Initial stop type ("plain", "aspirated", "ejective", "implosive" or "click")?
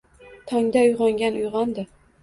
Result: aspirated